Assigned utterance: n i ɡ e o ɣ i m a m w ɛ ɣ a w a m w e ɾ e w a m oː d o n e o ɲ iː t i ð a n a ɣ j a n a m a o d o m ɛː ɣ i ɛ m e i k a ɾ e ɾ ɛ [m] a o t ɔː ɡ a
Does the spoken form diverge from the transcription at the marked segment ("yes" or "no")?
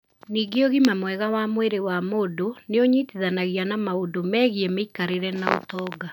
yes